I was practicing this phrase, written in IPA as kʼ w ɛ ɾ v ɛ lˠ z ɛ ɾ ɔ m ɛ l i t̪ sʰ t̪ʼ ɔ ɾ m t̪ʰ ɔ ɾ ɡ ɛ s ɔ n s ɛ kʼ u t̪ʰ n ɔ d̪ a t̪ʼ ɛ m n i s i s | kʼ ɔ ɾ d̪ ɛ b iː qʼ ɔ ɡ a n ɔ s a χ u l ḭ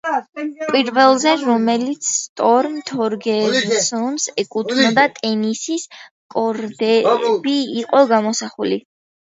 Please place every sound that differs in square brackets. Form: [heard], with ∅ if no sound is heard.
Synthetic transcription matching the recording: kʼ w [i] ɾ v ɛ lˠ z ɛ ɾ ɔ m ɛ l i t̪ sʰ t̪ʼ ɔ ɾ m t̪ʰ ɔ ɾ ɡ ɛ s ɔ n s ɛ kʼ u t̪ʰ n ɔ d̪ a t̪ʼ ɛ [∅] n i s i s | kʼ ɔ ɾ d̪ ɛ b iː qʼ ɔ ɡ a [m] ɔ s a χ u l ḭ